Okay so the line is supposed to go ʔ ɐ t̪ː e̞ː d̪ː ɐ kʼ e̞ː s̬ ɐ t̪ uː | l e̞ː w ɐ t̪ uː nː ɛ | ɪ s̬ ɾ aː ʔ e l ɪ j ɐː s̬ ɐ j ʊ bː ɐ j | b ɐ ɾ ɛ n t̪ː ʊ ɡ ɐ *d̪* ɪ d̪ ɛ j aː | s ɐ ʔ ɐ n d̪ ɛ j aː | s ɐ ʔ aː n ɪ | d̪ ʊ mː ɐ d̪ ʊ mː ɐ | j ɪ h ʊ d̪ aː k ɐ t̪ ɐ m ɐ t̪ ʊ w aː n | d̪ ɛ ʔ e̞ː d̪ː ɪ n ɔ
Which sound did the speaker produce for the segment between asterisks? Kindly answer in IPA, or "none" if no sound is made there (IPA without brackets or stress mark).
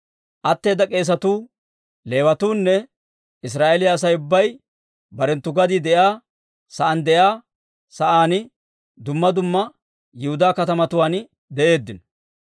d̪